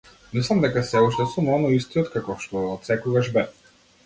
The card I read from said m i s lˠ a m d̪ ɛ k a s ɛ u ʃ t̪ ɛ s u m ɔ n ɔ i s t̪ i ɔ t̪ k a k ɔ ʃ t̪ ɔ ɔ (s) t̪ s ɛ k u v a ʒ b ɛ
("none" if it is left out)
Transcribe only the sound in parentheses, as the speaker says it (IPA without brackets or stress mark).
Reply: none